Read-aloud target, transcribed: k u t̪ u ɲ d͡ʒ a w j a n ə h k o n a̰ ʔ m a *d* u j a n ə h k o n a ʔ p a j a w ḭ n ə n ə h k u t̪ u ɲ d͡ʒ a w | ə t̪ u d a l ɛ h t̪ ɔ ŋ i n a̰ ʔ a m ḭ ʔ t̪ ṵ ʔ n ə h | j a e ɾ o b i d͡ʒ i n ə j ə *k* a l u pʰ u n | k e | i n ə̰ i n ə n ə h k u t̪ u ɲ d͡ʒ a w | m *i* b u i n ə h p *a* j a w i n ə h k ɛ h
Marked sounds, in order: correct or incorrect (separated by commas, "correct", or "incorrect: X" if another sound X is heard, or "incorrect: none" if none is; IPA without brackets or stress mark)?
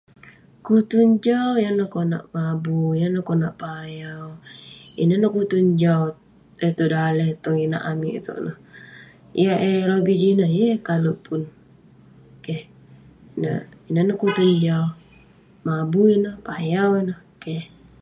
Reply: incorrect: b, correct, incorrect: a, correct